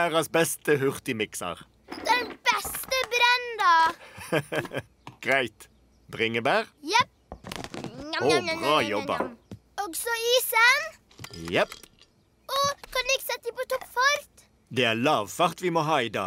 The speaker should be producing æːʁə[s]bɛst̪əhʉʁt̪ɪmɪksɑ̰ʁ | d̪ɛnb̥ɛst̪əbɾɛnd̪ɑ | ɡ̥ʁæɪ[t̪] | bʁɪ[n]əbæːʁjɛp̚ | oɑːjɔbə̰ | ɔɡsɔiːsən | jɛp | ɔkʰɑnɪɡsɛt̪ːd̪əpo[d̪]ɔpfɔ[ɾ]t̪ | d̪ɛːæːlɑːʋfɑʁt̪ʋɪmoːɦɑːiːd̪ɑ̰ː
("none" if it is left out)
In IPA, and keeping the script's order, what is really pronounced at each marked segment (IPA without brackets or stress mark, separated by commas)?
s, t̪, ŋ, t̪, ɾ